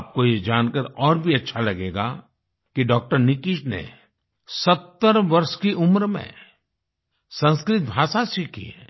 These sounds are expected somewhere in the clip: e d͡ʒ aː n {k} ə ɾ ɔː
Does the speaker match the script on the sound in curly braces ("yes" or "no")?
yes